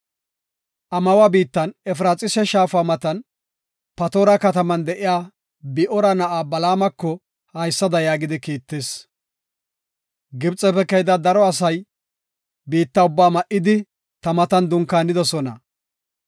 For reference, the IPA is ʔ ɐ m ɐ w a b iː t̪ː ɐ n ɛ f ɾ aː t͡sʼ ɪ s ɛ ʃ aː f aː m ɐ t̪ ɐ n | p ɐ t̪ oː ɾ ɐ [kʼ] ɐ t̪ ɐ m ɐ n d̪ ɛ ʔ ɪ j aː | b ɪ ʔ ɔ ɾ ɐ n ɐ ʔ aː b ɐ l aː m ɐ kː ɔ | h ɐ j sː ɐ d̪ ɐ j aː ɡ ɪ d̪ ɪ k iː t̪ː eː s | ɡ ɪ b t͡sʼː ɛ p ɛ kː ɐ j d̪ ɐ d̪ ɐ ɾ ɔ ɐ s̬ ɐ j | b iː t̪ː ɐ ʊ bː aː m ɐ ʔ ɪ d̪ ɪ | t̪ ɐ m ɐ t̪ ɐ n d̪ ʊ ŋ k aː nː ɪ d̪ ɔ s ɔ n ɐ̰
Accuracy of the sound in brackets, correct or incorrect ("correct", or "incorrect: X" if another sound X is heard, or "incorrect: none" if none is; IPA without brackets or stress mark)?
incorrect: k